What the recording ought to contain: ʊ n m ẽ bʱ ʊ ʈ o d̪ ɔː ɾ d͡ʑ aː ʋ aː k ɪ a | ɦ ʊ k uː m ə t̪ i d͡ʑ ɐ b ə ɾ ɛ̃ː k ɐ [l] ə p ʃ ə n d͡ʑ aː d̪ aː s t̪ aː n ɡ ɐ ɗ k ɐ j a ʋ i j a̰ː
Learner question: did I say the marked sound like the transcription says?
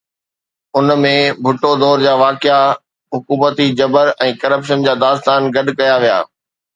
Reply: no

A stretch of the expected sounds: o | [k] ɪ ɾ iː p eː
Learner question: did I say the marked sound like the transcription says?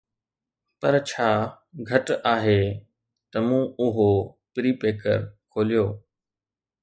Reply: no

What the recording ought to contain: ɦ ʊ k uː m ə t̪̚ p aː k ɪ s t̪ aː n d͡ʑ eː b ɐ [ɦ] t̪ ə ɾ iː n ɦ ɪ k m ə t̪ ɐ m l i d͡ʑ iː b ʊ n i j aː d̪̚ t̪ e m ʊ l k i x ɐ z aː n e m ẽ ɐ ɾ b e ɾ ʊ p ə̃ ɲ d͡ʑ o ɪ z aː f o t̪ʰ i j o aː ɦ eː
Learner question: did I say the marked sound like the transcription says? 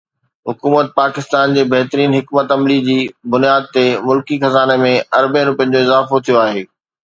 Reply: yes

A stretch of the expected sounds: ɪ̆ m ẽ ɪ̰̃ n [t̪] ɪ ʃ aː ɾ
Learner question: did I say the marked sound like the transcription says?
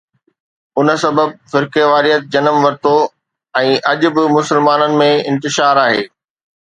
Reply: yes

